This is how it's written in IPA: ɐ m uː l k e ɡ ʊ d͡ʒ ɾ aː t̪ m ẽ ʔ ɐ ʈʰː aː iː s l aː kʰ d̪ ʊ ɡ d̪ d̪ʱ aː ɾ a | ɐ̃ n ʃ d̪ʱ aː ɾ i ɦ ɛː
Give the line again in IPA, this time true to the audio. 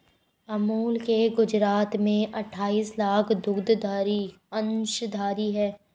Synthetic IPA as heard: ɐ m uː l k e ɡ ʊ d͡ʒ ɾ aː t̪ m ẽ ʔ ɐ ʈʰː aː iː s l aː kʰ d̪ ʊ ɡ d̪ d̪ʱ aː ɾ i | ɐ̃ n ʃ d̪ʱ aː ɾ i ɦ ɛː